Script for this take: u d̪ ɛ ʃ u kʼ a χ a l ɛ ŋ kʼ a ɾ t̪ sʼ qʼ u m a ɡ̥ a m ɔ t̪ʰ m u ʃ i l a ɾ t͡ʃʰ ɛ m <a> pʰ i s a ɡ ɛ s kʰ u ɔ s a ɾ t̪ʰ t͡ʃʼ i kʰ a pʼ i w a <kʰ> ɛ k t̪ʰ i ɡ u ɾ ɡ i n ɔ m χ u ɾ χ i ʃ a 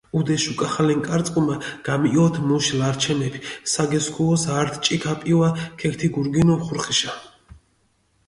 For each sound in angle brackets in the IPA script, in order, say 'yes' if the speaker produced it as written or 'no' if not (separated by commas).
no, yes